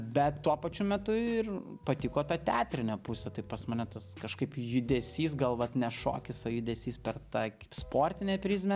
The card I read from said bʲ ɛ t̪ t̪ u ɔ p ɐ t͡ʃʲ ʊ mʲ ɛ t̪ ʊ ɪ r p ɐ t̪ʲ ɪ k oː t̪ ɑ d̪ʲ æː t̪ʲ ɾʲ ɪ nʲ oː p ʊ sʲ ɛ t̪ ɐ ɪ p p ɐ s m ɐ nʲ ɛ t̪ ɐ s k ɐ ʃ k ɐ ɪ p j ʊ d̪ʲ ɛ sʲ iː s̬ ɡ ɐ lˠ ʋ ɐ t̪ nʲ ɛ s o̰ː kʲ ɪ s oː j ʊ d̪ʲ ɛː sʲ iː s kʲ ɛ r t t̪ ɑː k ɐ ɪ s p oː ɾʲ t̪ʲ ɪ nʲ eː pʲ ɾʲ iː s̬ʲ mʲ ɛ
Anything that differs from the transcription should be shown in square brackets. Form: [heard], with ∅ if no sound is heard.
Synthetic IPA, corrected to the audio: bʲ ɛ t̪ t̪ u ɔ p ɐ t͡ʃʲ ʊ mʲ ɛ t̪ ʊ ɪ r p ɐ t̪ʲ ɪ k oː t̪ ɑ [t̪ʲ] æː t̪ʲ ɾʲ ɪ nʲ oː p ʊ sʲ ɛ t̪ ɐ ɪ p p ɐ s m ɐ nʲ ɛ t̪ ɐ s k ɐ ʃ k ɐ ɪ p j ʊ d̪ʲ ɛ sʲ iː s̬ ɡ ɐ lˠ ʋ ɐ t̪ nʲ ɛ [ʃ] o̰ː kʲ ɪ s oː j ʊ d̪ʲ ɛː sʲ iː s [pʲ] ɛ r t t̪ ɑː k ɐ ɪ s p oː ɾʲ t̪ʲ ɪ nʲ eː pʲ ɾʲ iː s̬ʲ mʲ ɛ